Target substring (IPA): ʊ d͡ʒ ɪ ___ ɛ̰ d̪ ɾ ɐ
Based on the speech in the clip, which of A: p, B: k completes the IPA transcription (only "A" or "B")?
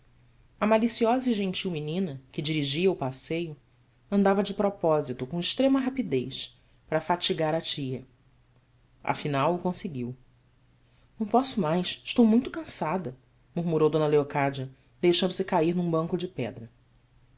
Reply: A